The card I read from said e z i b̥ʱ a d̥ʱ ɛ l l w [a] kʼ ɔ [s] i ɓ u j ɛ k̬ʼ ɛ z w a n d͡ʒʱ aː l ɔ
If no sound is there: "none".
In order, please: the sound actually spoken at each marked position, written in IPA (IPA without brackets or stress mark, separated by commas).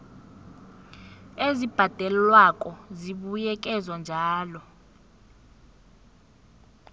a, z